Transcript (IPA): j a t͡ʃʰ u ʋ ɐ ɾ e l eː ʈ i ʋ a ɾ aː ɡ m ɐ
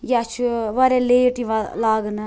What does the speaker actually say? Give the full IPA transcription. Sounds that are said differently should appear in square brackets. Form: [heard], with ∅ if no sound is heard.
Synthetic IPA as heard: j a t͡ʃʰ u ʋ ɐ ɾ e l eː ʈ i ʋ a [l] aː ɡ [n] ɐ